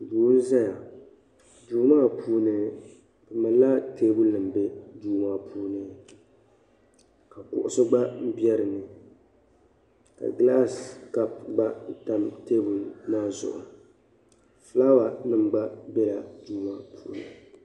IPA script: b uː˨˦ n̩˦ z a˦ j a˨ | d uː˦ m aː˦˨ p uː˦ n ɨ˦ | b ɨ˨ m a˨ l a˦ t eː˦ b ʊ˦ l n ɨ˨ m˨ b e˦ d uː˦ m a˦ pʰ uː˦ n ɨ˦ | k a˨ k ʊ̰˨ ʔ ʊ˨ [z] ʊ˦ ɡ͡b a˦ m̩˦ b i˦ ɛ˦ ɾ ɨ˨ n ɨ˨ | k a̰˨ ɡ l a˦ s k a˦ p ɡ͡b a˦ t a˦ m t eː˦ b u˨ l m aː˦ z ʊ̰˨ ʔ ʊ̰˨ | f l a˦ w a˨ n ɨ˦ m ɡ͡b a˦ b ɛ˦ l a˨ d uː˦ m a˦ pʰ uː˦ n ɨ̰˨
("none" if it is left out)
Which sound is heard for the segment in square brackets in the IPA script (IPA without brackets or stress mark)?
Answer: s